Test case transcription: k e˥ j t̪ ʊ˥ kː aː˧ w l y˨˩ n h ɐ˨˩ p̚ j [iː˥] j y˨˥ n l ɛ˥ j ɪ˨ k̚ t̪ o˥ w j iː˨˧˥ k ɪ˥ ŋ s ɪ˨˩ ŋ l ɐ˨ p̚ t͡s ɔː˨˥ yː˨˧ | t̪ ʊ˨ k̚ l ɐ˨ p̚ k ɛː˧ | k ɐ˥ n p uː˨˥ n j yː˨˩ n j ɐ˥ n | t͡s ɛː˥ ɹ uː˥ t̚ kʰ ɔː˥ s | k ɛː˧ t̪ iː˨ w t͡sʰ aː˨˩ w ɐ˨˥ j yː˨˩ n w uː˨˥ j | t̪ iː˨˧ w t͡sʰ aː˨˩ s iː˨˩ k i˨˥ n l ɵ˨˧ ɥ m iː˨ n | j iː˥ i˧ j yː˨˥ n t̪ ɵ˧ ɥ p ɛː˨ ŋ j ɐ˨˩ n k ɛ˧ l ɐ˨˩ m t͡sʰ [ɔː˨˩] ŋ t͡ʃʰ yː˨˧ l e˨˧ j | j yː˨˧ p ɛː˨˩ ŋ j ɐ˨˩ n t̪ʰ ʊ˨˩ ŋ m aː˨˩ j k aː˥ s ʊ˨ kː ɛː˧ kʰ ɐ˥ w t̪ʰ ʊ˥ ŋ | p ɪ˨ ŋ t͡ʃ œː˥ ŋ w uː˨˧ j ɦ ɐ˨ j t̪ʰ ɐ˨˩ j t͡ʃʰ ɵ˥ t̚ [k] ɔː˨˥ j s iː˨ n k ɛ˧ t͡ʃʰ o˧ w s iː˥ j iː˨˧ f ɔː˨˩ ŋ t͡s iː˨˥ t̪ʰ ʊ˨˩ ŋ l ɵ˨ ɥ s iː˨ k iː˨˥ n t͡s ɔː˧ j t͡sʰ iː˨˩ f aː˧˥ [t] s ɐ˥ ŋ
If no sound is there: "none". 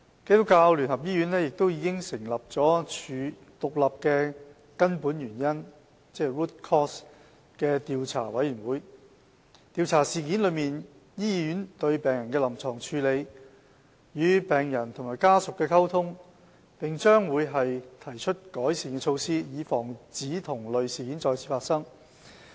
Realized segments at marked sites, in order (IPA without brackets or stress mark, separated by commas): iː˥, ɔː˨˩, k, t